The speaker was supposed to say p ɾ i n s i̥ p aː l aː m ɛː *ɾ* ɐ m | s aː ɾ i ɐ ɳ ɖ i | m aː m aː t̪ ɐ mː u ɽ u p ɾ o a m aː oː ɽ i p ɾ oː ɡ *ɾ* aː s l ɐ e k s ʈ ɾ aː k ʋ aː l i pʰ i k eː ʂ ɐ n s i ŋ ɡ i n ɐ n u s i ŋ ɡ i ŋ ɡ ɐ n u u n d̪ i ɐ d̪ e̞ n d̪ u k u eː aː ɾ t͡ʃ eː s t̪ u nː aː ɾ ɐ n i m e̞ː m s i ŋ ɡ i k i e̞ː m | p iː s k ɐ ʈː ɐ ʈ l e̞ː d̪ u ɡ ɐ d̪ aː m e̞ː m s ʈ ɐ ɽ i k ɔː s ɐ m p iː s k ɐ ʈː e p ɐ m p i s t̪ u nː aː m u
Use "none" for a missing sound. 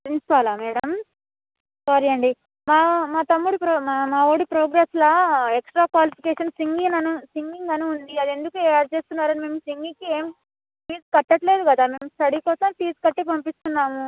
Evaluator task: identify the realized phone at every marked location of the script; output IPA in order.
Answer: ɽ, ɾ

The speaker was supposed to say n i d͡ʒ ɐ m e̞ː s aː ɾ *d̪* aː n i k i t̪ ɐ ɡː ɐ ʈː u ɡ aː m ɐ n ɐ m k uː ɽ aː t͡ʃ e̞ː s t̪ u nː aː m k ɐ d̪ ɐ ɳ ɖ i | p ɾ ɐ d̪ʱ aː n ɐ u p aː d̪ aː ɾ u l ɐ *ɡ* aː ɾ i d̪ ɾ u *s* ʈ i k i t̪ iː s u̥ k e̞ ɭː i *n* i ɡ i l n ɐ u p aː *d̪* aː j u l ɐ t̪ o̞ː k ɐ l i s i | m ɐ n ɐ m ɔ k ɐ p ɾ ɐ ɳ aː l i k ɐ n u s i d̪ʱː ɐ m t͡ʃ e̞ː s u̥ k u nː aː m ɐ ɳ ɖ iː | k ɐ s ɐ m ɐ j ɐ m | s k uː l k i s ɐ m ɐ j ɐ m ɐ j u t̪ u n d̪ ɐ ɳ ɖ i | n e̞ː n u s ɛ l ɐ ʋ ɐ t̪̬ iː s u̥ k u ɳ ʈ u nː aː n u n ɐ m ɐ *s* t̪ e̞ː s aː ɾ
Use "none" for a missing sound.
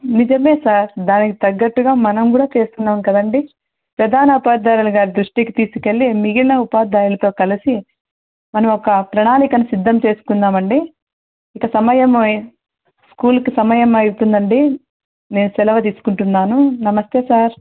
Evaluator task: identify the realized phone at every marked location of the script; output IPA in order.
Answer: d̪, ɡ, ʂ, m, d̪, s

